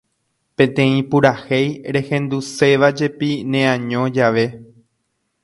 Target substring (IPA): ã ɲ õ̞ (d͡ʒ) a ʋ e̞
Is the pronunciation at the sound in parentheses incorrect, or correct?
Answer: correct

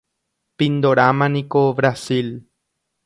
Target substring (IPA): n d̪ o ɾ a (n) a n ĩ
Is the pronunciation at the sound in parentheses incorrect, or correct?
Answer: incorrect: m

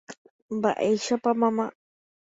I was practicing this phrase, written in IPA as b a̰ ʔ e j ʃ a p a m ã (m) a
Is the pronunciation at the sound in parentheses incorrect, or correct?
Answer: correct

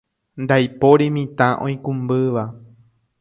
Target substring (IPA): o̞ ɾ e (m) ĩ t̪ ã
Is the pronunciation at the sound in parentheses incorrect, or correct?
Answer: correct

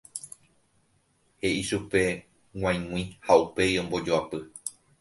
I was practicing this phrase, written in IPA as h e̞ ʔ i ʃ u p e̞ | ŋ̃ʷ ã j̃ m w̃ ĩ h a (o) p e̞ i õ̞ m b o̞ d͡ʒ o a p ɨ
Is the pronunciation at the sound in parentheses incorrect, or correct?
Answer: incorrect: u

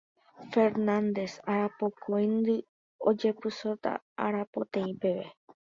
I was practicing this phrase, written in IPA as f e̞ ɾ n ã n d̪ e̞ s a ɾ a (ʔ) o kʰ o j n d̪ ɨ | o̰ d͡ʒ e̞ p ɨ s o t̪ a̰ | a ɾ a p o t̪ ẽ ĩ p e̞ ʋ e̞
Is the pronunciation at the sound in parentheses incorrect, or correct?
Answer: incorrect: p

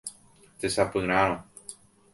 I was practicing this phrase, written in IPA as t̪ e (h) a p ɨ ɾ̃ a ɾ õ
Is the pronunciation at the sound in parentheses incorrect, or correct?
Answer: incorrect: s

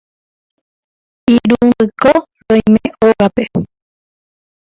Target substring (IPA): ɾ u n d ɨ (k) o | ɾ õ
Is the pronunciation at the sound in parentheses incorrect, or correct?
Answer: correct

